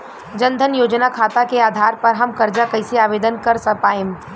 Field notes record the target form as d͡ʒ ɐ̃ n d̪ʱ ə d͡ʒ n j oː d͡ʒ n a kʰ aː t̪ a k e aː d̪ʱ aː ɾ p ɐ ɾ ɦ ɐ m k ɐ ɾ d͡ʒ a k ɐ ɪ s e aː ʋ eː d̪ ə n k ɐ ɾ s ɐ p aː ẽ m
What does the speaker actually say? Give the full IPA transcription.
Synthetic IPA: d͡ʒ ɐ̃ n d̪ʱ ə n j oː d͡ʒ n a kʰ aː t̪ a k e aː d̪ʱ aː ɾ p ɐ ɾ ɦ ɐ m k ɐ ɾ d͡ʒ a k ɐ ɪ s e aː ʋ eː d̪ ə n k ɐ ɾ s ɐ p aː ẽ m